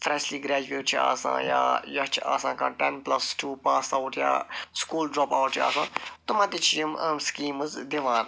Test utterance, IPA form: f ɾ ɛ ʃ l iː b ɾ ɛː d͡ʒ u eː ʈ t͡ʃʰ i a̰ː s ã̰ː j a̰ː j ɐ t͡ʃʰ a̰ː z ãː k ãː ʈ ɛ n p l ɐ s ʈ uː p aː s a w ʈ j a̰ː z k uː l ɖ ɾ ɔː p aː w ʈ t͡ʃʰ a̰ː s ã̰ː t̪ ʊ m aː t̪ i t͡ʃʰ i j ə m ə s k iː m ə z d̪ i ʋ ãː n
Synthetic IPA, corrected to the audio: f ɾ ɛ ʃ l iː ɡ ɾ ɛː d͡ʒ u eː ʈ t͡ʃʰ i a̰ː s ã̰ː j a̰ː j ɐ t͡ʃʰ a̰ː s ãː k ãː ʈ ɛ n p l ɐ s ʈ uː p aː s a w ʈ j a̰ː s k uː l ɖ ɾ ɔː p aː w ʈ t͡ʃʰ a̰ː s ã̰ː t̪ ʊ m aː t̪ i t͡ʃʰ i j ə m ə s k iː m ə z d̪ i ʋ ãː n